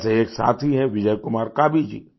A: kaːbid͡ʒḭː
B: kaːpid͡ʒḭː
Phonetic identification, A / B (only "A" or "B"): A